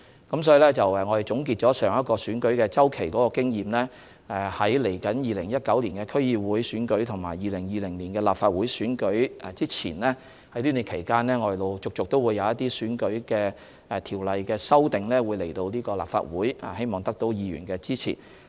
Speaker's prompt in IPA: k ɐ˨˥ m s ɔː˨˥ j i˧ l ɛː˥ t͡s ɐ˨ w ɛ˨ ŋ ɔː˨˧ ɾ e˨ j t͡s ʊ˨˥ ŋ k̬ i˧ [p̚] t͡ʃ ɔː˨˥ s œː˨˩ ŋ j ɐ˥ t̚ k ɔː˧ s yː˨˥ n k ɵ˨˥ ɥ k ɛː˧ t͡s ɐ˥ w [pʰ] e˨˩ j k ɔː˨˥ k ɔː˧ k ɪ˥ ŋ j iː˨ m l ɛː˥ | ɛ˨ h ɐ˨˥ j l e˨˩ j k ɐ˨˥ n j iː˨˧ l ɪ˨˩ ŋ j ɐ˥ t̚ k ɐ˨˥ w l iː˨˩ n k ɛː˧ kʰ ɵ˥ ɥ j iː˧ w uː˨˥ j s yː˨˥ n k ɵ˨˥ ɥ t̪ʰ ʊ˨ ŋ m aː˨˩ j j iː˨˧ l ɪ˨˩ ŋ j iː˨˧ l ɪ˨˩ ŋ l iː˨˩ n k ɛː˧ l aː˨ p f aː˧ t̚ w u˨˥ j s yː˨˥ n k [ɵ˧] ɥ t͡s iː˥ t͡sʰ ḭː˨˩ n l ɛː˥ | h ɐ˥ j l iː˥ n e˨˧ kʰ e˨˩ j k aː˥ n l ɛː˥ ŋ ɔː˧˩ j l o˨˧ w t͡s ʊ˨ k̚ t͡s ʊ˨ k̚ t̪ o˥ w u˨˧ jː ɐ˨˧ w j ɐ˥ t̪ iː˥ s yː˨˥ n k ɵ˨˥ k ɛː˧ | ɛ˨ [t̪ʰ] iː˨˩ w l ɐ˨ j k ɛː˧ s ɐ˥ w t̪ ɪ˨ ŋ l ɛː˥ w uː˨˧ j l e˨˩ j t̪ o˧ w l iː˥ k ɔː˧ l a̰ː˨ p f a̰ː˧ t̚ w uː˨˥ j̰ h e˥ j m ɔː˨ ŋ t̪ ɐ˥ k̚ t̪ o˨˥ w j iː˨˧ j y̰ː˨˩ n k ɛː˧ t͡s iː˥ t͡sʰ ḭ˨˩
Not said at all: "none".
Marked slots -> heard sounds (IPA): t̚, kʰ, ɵ˨˥, t̪ʰ

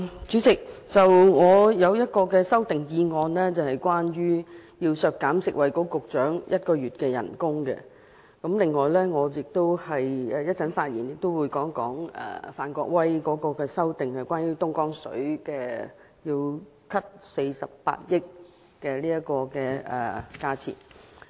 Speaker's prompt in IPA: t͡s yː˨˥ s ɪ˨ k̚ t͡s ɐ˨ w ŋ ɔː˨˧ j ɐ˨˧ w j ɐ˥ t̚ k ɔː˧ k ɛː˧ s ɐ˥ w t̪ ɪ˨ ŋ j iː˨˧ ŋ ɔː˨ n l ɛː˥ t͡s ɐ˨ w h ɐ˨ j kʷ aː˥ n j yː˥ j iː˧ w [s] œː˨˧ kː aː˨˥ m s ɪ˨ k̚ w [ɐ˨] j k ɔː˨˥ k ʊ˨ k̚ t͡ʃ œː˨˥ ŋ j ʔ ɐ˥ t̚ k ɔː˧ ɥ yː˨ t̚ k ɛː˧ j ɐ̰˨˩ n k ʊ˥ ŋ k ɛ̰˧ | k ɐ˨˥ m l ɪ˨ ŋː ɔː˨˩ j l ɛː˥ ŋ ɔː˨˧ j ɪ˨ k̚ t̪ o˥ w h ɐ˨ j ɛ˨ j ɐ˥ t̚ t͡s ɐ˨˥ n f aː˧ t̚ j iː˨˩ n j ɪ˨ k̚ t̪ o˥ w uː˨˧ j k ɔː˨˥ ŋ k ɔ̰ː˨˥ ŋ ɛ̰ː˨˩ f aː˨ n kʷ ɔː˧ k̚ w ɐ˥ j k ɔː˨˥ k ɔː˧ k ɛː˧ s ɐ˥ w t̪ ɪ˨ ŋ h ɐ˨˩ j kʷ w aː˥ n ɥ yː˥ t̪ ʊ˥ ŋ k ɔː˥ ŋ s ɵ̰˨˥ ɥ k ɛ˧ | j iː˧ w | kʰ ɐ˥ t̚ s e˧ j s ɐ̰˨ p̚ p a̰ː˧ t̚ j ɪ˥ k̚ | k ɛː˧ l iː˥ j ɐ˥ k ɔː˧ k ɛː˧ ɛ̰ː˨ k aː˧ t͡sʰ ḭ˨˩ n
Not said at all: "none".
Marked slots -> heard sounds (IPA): s, ɐ˨

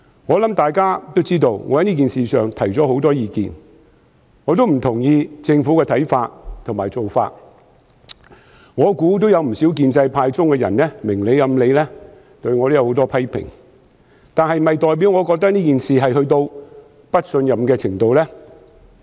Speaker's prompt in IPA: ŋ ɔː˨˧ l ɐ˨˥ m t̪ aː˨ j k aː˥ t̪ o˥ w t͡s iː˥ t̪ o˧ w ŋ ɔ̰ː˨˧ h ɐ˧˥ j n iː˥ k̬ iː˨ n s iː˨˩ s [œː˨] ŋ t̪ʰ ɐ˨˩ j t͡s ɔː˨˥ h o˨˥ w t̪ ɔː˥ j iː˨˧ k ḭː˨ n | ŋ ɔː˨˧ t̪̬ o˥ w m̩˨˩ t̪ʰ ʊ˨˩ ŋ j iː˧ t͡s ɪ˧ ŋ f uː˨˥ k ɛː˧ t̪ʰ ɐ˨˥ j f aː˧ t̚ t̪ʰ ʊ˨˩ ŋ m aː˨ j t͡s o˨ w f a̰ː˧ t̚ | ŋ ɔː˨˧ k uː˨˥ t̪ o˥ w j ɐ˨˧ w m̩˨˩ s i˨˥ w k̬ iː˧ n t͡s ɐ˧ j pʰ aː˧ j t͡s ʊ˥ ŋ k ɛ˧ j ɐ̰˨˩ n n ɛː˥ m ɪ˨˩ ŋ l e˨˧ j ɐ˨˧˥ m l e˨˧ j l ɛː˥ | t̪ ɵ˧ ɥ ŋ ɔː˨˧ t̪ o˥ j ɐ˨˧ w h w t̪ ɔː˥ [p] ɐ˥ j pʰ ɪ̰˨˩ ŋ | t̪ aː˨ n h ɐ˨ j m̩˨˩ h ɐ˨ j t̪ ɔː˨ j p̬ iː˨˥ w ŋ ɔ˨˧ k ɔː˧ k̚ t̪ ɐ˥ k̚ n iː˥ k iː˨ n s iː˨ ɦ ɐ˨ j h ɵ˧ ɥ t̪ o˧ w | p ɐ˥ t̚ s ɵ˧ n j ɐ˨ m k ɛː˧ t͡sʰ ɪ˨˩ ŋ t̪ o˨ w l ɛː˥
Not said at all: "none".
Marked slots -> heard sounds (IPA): œː˨, pʰ

